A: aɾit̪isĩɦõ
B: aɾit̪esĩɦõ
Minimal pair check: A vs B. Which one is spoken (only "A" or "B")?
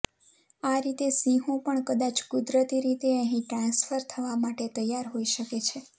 B